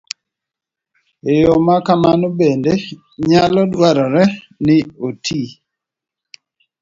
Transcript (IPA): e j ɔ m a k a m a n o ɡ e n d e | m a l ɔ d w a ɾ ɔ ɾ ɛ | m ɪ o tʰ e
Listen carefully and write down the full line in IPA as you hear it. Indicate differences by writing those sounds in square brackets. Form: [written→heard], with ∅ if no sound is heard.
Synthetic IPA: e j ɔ m a k a m a n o [ɡ→b] e n d e | [m→ɲ] a l ɔ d w a ɾ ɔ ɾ ɛ | [m→n] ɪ o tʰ [e→i]